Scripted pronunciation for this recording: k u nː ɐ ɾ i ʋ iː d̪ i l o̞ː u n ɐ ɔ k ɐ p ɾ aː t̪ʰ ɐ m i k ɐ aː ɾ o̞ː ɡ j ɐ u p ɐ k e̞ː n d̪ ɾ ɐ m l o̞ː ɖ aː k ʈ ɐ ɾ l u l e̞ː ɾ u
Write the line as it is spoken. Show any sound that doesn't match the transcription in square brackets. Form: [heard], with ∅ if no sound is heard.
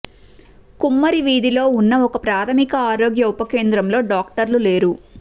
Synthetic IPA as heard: k u [mː] ɐ ɾ i ʋ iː d̪ i l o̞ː u [nː] ɐ ɔ k ɐ p ɾ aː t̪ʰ ɐ m i k ɐ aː ɾ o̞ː ɡ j ɐ u p ɐ k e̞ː n d̪ ɾ ɐ m l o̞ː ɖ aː k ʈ ɐ ɾ l u l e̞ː ɾ u